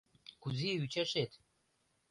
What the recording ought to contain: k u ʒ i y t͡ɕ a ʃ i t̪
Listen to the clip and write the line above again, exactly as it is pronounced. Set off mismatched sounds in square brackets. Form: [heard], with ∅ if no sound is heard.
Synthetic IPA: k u [z] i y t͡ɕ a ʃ [e] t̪